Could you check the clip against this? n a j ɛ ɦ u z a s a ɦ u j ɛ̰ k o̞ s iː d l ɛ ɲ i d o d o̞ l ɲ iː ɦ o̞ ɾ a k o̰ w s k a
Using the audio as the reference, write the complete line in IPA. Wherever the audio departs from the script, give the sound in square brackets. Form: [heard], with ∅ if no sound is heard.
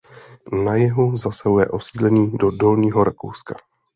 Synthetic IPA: n a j ɛ ɦ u z a s a ɦ u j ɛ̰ [ʔ] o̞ s iː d l ɛ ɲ [iː] d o d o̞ l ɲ iː ɦ o̞ ɾ a k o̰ w s k a